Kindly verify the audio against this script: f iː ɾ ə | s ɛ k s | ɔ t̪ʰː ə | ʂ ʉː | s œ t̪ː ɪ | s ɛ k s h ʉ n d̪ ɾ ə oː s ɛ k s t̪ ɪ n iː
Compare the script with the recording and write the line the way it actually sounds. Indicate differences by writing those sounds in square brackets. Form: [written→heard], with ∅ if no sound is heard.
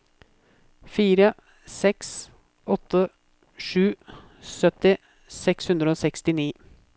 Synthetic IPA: f iː ɾ ə | s ɛ k s | ɔ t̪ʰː ə | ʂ ʉː | s œ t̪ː ɪ | s ɛ k s h ʉ n d̪ ɾ ə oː s ɛ k s t̪ ɪ n iː